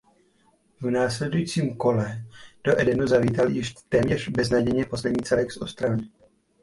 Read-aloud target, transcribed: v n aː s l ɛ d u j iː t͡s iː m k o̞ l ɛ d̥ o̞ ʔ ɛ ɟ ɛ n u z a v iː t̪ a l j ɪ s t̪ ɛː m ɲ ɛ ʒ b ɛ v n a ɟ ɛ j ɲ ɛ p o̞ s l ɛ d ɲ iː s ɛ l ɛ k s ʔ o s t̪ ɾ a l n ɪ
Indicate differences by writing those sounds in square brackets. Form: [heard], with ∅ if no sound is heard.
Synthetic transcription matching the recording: v n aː s l ɛ d u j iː t͡s iː m k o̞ l ɛ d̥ o̞ ʔ ɛ [d] ɛ n u z a v iː t̪ a l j ɪ [ʃ] t̪ ɛː m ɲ ɛ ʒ b ɛ [z] n a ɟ ɛ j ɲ ɛ p o̞ s l ɛ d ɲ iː [t͡s] ɛ l ɛ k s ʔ o s t̪ ɾ a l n ɪ